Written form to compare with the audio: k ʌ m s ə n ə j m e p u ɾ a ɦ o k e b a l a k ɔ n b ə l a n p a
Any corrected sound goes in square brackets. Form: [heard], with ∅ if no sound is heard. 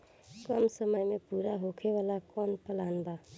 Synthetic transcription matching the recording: k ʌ m s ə [m] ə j m e p u ɾ a ɦ o [kʰ] e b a l a k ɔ n [p] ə l a n [b] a